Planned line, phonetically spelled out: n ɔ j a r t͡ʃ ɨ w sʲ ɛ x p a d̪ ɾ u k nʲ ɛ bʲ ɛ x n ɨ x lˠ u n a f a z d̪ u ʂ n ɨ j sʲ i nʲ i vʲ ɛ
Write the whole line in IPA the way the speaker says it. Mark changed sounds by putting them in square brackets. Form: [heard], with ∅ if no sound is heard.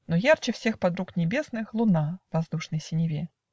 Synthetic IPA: n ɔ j a r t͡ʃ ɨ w sʲ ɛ x p a d̪ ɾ u k nʲ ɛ bʲ ɛ [s] n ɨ x lˠ u n a [v] a z d̪ u ʂ n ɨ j sʲ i nʲ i vʲ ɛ